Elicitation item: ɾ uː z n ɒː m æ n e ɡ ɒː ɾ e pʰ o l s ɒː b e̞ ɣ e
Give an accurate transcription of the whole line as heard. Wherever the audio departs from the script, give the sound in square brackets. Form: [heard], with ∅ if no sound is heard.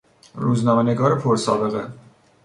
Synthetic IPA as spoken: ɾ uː z n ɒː m [e] n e ɡ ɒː ɾ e pʰ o [ɾ] s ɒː b e̞ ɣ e

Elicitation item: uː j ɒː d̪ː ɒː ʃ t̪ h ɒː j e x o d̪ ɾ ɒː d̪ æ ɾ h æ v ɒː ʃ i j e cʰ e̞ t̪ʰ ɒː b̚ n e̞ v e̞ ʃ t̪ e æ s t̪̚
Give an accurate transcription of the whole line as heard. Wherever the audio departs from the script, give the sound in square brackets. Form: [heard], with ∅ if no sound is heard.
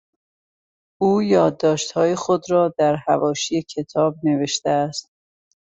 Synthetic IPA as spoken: uː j ɒː d̪ː ɒː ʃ t̪ h ɒː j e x o d̪ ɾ ɒː d̪ æ ɾ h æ v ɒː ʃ i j e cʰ e̞ t̪ʰ ɒː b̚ n e̞ v e̞ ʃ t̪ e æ s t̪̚

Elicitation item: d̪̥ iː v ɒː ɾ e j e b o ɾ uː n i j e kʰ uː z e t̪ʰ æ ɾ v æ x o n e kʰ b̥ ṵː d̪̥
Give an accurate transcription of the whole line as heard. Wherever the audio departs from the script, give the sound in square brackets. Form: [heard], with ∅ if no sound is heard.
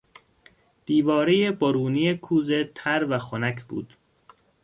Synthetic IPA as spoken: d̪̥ iː v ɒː ɾ e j e b o ɾ uː n i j e kʰ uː z e t̪ʰ æ ɾ v æ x o n [æ] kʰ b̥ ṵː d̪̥

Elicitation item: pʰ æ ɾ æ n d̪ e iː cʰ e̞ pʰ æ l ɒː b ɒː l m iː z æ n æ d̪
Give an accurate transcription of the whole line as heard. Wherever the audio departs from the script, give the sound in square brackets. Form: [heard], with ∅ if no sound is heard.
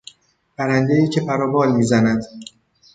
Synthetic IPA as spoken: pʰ æ ɾ æ n d̪ e iː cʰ e̞ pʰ æ [ɾ] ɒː b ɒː l m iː z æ n æ d̪

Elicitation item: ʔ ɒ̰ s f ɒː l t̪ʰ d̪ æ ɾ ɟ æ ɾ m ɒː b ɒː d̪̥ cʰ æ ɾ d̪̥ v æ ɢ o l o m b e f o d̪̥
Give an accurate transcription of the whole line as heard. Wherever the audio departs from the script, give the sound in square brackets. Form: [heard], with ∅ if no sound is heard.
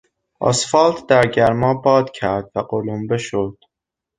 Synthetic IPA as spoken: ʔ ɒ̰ s f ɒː l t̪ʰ d̪ æ ɾ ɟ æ ɾ m ɒː b ɒː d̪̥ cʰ æ ɾ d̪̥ v æ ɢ o l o m b e [ʃ] o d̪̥

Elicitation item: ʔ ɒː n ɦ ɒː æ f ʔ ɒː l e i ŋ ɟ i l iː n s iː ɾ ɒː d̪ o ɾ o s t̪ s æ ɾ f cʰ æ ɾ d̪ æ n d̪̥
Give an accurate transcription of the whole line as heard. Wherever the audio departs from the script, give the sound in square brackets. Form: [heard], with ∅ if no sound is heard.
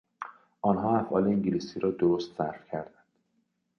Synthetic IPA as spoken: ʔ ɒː n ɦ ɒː æ f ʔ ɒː l e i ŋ ɟ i l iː [∅] s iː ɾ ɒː d̪ o ɾ o s t̪ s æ ɾ f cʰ æ ɾ d̪ æ n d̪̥

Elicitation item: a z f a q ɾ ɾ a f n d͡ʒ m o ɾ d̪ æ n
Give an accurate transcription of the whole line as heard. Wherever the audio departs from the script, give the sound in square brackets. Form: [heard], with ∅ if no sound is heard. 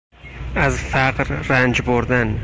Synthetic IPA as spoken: a z f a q ɾ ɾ a [∅] n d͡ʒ [b] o ɾ d̪ [a] n

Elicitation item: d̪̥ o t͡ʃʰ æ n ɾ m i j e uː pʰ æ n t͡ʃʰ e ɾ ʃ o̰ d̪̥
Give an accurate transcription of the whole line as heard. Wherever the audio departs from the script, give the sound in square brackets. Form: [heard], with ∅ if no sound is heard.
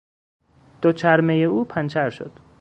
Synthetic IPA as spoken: d̪̥ o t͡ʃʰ æ [∅] ɾ m [e] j e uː pʰ æ n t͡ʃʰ [æ] ɾ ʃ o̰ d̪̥

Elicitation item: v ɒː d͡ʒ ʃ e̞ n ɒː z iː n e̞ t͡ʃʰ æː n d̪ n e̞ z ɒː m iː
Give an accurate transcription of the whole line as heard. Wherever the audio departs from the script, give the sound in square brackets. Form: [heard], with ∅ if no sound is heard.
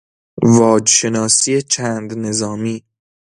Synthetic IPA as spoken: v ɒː d͡ʒ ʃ e̞ n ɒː [s] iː [∅] e̞ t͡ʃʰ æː n d̪ n e̞ z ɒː m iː

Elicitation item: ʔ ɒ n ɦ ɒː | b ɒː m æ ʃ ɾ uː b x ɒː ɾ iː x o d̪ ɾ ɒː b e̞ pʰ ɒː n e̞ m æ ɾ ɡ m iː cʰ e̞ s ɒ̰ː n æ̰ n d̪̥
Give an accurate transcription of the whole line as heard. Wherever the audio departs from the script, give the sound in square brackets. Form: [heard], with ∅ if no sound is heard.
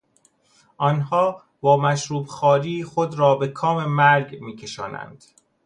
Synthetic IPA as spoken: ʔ ɒ n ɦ ɒː | b ɒː m æ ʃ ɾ uː b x ɒː ɾ iː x o d̪ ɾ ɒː b e̞ [kʰ] ɒː [m] e̞ m æ ɾ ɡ m iː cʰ e̞ [ʃ] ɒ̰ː n æ̰ n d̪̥

